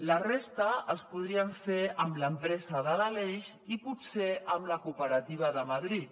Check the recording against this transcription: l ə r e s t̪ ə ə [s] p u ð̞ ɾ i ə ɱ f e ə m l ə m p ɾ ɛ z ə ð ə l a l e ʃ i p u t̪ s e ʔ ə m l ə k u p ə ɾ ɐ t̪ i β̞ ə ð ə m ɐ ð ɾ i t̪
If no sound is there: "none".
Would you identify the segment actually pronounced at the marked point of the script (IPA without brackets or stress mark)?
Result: s